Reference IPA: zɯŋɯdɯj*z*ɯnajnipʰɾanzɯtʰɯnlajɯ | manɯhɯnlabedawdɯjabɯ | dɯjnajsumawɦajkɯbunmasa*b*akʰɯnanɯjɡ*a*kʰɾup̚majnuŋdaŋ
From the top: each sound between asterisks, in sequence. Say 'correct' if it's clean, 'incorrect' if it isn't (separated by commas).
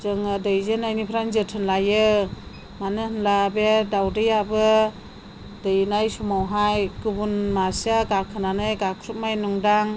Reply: correct, incorrect, correct